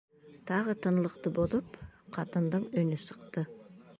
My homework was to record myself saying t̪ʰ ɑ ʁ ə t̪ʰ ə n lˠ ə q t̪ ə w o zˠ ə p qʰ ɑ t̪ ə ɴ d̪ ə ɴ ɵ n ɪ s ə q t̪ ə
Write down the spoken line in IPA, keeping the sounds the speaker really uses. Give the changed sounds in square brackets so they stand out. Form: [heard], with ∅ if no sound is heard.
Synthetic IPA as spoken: t̪ʰ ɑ ʁ ə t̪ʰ ə n lˠ ə q t̪ ə [b] o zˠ ə p qʰ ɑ t̪ ə [n] d̪ ə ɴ ɵ n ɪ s ə q t̪ ə